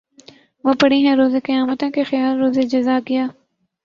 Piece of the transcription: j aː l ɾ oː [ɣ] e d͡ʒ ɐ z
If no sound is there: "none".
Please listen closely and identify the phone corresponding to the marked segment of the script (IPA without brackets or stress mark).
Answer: z